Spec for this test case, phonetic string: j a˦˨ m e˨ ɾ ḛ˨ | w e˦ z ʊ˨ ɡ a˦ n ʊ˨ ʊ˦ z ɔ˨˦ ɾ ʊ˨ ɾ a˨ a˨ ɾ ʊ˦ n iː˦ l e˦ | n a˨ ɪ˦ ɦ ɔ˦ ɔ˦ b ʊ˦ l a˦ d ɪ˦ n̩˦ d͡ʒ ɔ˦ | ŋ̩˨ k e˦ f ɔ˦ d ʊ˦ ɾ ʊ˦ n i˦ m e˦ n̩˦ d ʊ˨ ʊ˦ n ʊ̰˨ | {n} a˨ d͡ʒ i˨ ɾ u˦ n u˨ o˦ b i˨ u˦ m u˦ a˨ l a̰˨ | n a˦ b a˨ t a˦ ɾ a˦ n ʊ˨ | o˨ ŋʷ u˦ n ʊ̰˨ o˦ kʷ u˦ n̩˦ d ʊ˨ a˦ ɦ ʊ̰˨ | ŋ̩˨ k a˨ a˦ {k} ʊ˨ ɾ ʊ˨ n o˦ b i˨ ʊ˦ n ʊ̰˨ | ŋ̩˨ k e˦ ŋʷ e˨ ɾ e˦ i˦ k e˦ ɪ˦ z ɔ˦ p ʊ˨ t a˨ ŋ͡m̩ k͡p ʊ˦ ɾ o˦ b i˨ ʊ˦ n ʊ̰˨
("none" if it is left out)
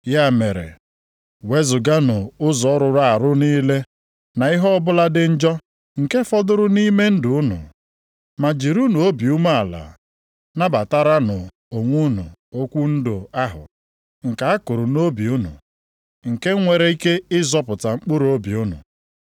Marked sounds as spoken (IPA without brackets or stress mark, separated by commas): m, k